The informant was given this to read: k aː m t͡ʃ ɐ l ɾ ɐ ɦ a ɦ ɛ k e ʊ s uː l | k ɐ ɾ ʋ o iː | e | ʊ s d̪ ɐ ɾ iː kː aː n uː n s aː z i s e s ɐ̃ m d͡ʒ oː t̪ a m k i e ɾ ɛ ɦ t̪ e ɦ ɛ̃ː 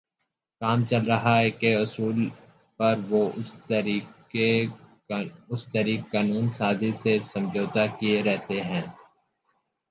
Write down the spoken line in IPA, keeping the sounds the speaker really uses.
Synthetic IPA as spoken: k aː m t͡ʃ ɐ l ɾ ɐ ɦ a ɦ ɛ k e ʊ s uː l | p ɐ ɾ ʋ o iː | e | ʊ s t̪ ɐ ɾ iː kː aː n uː n s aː z i s e s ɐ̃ m d͡ʒ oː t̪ a k i e ɾ ɛ ɦ t̪ e ɦ ɛ̃ː

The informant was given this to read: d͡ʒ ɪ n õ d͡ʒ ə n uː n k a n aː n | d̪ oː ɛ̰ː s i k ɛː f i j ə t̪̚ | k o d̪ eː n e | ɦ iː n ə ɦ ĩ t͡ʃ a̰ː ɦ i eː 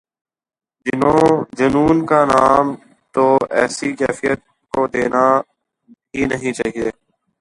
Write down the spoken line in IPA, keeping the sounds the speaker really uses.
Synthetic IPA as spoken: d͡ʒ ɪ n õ d͡ʒ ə n uː n k a n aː m | t̪ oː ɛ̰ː s i k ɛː f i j ə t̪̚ | k o d̪ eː n a | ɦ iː n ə ɦ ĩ t͡ʃ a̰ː ɦ i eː

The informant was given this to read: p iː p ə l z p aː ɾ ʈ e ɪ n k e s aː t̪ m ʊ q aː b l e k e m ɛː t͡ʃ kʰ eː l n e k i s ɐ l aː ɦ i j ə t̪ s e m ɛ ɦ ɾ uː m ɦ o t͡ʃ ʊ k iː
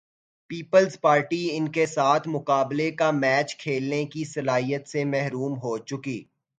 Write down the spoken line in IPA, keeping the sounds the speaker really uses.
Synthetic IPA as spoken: p iː p ə l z p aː ɾ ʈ i ɪ n k e s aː t̪ʰ m ʊ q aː b l e k a m ɛː t͡ʃ kʰ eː l n e k i s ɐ l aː ɦ i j ə t̪ s e m ɛ ɦ ɾ uː m ɦ o t͡ʃ ʊ k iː

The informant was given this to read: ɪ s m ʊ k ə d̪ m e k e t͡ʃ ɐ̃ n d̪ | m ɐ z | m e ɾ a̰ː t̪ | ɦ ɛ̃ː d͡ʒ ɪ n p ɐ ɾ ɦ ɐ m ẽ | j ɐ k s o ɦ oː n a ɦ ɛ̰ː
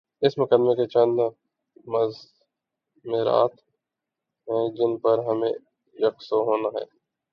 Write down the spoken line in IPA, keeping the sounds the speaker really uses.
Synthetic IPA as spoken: ɪ s m ʊ k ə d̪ m e k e t͡ʃ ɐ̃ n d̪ | m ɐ z | m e ɾ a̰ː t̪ | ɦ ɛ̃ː d͡ʒ ɪ n p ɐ ɾ ɦ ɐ m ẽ | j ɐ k s o ɦ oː n a ɦ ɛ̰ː

